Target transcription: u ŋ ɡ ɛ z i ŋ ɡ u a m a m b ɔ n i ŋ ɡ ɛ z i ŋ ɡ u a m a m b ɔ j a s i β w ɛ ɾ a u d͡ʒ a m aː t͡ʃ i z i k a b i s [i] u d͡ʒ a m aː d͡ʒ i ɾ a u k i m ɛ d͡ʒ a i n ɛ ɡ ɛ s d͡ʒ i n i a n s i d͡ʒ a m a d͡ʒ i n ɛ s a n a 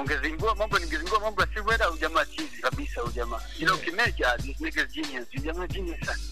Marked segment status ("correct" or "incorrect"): incorrect